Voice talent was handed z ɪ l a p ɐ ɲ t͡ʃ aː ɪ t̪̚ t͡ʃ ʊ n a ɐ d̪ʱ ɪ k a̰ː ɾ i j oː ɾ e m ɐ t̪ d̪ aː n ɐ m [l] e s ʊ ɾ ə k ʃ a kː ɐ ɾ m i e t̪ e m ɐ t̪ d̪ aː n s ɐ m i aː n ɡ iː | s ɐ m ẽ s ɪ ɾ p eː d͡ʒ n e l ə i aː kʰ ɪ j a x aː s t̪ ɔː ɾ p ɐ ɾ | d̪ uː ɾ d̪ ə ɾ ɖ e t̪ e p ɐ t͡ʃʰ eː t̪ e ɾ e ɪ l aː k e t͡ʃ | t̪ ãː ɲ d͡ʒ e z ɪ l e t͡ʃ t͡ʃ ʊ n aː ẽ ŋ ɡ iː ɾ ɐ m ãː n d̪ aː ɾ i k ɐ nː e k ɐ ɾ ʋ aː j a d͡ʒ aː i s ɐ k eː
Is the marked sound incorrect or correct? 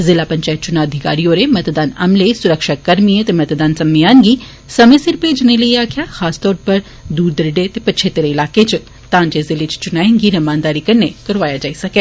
correct